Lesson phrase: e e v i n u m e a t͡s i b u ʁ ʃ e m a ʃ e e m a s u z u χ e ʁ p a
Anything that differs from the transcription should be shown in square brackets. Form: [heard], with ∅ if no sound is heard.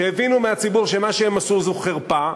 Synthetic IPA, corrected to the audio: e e v i n u m e a t͡s i b u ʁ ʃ e m a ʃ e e m a s u z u χ e ʁ p a